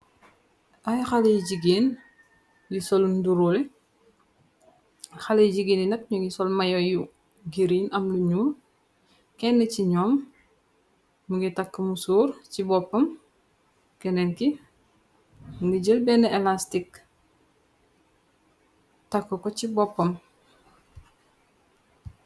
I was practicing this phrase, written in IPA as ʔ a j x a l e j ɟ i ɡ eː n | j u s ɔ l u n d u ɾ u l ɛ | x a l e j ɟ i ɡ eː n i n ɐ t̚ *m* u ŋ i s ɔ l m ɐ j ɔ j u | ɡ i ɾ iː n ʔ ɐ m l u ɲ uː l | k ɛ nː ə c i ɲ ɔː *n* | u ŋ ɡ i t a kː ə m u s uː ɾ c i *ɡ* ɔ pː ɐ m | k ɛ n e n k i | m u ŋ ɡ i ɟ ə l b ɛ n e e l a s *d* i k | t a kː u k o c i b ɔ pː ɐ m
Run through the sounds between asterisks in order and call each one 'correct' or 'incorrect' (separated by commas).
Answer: incorrect, incorrect, incorrect, incorrect